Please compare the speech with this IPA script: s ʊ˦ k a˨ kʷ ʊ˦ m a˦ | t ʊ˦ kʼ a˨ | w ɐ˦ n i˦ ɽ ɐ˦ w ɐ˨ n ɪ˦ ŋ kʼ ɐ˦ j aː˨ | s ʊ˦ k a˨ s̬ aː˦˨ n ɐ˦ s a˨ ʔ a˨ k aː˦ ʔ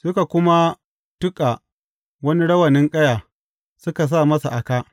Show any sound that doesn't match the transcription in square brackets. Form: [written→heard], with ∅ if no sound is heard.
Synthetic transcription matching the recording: s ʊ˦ k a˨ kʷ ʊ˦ m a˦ | t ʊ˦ kʼ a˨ | w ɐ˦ n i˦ ɽ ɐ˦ w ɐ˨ n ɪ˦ ŋ kʼ ɐ˦ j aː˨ | s ʊ˦ k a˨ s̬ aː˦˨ [n→m] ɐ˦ s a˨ ʔ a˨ k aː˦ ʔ